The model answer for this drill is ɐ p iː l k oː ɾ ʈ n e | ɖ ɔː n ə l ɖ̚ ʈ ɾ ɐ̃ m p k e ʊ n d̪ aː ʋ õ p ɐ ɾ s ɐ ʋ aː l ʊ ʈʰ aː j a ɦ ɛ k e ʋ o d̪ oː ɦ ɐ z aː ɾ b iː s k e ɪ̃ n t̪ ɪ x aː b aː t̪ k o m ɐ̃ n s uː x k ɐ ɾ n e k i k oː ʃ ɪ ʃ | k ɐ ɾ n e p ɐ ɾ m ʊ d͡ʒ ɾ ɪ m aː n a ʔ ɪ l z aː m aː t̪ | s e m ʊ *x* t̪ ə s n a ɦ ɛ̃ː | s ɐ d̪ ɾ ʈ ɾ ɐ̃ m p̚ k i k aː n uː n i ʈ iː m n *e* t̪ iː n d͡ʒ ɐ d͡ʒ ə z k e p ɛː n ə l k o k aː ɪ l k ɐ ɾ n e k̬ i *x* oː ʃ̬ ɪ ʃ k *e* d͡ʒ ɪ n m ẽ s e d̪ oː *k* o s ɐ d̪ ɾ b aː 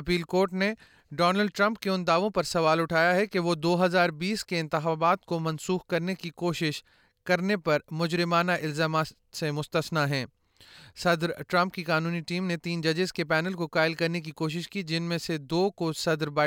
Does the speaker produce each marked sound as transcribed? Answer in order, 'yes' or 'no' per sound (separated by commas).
no, yes, no, no, yes